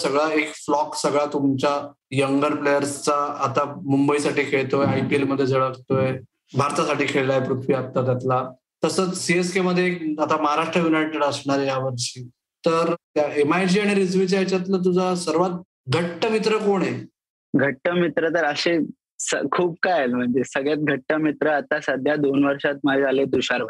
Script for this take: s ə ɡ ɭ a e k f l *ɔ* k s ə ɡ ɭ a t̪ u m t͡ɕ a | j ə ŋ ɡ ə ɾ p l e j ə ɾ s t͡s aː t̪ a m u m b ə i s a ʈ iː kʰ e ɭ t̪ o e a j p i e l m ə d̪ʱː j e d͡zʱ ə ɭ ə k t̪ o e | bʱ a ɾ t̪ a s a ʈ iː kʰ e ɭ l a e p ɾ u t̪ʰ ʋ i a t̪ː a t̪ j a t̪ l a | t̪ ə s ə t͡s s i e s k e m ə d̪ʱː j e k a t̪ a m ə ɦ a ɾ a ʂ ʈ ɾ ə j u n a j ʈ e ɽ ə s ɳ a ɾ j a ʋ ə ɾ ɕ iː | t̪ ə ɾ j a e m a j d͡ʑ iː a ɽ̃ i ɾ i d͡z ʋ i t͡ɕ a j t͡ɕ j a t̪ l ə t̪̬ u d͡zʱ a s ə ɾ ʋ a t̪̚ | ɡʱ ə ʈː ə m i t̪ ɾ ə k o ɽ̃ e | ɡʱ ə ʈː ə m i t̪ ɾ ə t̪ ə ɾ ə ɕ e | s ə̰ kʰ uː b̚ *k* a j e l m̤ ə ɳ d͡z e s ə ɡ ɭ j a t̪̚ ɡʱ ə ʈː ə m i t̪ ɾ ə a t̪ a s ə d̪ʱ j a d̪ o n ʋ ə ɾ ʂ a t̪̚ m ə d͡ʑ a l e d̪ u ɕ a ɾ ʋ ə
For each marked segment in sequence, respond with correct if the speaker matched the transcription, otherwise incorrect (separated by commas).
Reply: correct, correct